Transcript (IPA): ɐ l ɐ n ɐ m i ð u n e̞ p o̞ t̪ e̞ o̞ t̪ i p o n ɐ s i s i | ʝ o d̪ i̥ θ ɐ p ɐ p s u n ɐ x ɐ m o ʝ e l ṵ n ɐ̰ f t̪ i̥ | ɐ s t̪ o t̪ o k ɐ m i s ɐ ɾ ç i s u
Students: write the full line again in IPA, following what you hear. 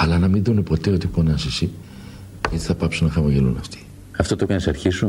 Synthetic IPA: ɐ l ɐ n ɐ m i ð u n e̞ p o̞ t̪ e̞ o̞ t̪ i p o n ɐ s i s i | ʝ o t̪ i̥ θ ɐ p ɐ p s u n ɐ x ɐ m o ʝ e l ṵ n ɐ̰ f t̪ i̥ | ɐ f t̪ o t̪ o k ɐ n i s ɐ ɾ ç i s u